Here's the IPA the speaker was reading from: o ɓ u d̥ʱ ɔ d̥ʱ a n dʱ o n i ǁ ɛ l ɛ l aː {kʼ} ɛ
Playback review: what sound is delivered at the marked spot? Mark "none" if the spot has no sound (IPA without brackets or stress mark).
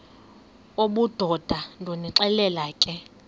kʼ